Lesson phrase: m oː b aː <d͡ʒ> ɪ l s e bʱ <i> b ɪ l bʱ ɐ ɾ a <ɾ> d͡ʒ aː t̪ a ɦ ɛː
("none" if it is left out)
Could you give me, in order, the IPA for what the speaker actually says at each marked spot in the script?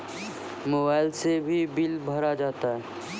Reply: none, i, none

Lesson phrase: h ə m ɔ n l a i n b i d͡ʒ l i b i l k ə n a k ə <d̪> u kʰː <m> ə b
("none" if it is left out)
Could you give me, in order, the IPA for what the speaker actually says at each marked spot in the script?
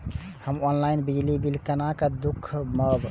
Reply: d̪, m

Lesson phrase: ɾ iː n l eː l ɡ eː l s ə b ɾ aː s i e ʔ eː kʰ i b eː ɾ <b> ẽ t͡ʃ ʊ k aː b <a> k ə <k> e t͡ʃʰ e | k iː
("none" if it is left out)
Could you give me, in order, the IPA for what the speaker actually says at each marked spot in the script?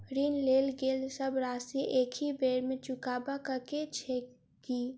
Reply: m, a, k

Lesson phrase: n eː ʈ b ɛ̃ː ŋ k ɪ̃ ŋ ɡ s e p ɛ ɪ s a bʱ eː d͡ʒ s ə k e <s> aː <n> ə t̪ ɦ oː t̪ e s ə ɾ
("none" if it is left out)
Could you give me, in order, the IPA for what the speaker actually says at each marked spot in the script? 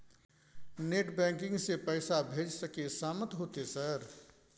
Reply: s, m

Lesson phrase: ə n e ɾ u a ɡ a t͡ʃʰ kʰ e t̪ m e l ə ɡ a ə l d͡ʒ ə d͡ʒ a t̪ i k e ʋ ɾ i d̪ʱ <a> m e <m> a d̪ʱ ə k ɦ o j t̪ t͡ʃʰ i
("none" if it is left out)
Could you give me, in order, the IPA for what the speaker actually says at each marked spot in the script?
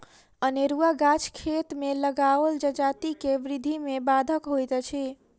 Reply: i, b

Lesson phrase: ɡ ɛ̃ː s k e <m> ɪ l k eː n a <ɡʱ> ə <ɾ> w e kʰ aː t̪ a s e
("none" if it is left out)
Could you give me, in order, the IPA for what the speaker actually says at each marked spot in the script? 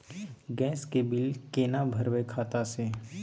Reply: b, bʱ, ɾ

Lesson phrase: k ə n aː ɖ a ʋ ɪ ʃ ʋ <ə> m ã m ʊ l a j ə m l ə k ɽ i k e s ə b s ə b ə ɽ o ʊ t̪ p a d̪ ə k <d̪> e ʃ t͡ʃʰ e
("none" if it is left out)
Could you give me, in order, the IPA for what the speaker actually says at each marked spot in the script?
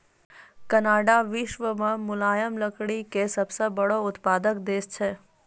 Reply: ə, d̪

